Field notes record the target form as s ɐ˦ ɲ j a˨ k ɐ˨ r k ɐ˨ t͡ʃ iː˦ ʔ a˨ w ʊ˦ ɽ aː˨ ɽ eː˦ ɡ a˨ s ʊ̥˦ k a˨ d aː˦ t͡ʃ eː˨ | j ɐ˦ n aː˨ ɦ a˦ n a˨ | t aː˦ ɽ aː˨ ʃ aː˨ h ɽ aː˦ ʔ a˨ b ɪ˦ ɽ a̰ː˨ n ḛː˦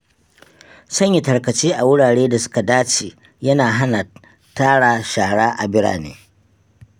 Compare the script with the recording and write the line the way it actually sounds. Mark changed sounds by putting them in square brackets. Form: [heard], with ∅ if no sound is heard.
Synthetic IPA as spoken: s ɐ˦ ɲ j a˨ [t] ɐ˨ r k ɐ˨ t͡ʃ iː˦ ʔ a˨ w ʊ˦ ɽ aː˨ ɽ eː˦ [d] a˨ s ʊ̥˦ k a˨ d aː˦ t͡ʃ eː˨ | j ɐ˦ n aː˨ ɦ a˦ n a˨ | t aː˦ ɽ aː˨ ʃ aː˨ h ɽ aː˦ ʔ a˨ b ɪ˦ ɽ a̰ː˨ n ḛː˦